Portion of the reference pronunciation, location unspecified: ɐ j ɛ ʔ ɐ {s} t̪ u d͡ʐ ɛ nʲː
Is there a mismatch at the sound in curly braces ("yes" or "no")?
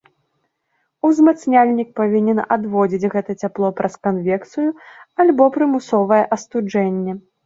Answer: no